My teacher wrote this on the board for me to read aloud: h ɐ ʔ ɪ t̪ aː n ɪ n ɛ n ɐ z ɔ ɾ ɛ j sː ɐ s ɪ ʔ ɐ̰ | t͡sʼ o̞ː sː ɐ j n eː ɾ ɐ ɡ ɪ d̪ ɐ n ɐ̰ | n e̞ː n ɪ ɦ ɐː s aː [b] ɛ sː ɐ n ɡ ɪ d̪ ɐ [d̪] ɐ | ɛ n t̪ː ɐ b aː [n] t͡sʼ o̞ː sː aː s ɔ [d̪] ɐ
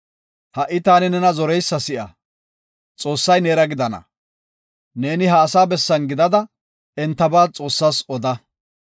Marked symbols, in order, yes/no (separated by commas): yes, yes, no, yes